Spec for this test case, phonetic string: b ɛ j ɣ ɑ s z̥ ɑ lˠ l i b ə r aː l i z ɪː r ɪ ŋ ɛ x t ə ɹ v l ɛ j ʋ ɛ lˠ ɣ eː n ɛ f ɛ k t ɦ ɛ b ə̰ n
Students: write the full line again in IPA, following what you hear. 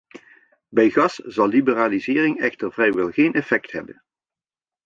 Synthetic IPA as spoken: b ɛ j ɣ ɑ s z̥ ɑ lˠ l i b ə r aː l i z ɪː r ɪ ŋ ɛ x t ə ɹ v r ɛ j ʋ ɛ lˠ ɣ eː n ɛ f ɛ k t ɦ ɛ b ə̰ n